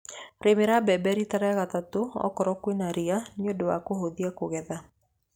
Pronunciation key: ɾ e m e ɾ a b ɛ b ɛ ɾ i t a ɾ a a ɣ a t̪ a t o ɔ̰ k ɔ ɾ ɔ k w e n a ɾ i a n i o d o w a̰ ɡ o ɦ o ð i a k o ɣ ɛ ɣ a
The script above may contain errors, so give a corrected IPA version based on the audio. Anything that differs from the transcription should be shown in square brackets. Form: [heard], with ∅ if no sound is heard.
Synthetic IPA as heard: ɾ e m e ɾ a b ɛ b ɛ ɾ i t a ɾ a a ɣ a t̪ a t o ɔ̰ k ɔ ɾ ɔ k w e n a ɾ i a n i o d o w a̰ [k] o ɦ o ð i a k o ɣ ɛ [ð] a

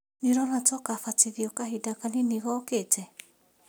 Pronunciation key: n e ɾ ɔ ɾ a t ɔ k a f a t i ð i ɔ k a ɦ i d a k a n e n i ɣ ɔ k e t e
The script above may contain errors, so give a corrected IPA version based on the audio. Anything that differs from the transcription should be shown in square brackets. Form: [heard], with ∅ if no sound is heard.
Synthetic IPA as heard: n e ɾ ɔ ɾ a t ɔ k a f a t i ð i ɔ k a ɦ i d a k a n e n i ɣ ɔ k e t [ɛ]

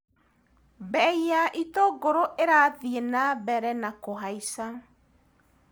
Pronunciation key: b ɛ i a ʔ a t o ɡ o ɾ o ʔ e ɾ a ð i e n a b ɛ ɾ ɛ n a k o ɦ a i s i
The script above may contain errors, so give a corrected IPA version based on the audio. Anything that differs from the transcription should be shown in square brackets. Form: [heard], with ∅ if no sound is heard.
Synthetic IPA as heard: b ɛ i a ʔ [i] t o ɡ o ɾ o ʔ e ɾ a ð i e n a b ɛ ɾ ɛ n a k o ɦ a i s [a]

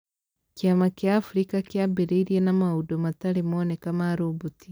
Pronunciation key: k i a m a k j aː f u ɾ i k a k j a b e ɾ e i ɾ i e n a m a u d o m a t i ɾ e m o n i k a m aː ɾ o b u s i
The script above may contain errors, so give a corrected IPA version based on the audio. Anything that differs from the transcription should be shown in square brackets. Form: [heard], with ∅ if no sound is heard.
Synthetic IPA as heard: k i a m a k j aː f u ɾ i k a k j a b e ɾ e i ɾ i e n a m a u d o m a t [a] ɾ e m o n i k a m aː ɾ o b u [t] i

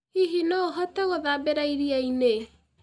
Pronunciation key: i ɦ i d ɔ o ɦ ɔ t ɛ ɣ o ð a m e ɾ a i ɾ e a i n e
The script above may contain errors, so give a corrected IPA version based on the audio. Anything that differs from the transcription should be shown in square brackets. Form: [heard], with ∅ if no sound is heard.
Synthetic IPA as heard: i ɦ i [n] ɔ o ɦ ɔ t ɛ ɣ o ð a [b] e ɾ a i ɾ [i] a i n e

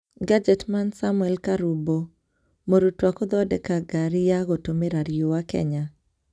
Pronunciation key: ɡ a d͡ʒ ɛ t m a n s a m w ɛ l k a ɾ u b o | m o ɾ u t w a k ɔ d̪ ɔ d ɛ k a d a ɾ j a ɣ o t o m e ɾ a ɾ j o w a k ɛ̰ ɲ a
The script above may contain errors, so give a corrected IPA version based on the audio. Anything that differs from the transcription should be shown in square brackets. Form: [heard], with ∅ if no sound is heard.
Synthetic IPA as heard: ɡ a d͡ʒ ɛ t m a n s a m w ɛ l k a ɾ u b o | m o ɾ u t w a k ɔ d̪ ɔ d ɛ k a [ɡ] a ɾ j a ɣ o t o m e ɾ a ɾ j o w a k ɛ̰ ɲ a

